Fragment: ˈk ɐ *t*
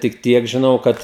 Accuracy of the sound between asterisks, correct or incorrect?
correct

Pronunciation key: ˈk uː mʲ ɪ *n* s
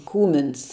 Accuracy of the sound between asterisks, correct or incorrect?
correct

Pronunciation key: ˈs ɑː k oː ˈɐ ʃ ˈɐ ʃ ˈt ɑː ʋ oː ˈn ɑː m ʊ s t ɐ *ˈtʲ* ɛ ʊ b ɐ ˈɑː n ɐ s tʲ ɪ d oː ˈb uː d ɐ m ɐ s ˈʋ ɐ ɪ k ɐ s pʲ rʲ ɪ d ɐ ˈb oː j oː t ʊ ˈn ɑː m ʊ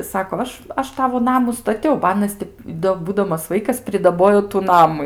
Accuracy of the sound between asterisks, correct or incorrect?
correct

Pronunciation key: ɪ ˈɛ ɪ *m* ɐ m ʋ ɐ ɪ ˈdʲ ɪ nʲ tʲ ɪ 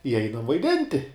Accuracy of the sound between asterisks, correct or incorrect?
incorrect: n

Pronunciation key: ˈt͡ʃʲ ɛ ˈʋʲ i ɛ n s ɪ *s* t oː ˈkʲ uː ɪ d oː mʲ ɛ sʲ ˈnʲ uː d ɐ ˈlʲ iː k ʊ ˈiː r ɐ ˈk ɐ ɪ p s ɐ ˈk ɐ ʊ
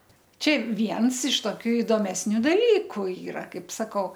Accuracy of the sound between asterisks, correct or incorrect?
incorrect: ʃ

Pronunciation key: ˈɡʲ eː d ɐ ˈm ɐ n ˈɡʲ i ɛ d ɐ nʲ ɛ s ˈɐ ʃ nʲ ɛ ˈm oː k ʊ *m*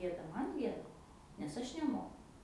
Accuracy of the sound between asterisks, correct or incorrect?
incorrect: none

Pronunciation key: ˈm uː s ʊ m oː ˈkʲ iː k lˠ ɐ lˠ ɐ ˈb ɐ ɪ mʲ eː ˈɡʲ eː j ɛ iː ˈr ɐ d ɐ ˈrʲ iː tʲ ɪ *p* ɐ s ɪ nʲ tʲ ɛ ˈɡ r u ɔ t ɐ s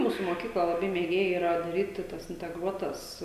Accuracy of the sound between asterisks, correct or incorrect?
incorrect: t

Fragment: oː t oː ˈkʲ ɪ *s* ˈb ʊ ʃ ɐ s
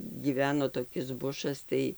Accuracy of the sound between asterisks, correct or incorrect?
correct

